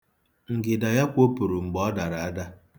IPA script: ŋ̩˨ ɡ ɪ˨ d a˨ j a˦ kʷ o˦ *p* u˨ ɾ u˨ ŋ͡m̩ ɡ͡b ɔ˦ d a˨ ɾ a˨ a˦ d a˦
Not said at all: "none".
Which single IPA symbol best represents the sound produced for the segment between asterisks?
p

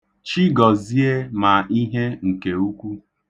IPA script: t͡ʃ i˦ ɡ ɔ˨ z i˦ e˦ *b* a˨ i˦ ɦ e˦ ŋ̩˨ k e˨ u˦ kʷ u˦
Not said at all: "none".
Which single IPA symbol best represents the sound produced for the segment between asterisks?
m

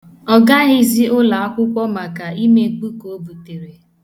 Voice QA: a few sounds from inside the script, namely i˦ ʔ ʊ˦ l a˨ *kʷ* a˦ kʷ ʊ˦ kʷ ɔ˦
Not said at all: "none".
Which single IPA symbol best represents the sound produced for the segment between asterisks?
none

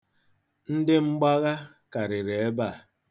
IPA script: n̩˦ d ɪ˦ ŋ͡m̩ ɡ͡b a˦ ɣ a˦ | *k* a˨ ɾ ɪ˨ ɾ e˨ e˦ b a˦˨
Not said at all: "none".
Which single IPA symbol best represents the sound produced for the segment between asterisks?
k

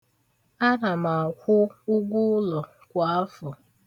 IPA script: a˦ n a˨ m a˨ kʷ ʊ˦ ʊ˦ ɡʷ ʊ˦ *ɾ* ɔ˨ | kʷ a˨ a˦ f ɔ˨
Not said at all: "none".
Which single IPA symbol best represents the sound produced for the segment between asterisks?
l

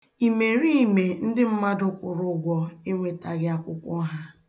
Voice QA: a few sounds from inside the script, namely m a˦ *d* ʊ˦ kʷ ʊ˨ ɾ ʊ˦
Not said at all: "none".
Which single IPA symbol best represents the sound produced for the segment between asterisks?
d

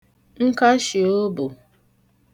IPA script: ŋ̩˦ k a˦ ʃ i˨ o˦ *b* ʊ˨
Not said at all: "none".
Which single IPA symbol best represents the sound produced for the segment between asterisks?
b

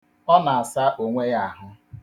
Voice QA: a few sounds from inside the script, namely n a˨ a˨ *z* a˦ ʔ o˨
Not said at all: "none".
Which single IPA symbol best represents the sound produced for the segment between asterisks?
s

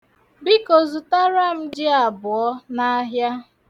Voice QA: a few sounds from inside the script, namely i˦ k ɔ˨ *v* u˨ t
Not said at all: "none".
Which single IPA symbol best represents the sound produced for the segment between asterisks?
z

